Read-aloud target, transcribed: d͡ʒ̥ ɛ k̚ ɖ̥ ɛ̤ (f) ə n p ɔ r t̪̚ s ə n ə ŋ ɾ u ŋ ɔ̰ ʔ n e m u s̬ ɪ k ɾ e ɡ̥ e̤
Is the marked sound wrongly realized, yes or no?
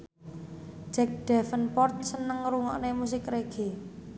no